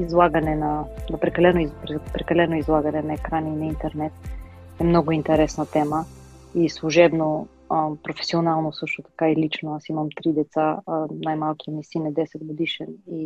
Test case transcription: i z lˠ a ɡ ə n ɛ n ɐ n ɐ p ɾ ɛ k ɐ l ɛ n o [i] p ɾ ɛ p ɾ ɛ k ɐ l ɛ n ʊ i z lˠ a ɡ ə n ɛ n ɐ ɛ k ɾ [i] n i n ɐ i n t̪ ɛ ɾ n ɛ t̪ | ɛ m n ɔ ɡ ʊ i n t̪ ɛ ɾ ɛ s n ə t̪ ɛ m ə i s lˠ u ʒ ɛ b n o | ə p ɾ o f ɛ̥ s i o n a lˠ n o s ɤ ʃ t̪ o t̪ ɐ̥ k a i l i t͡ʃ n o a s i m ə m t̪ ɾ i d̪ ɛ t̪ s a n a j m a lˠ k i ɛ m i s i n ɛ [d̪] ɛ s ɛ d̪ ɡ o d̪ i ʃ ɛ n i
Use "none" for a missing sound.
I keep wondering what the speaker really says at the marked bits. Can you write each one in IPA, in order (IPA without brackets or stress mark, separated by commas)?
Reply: i, a, d̪